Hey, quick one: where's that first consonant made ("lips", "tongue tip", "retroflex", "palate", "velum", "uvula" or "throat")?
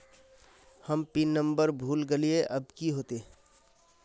throat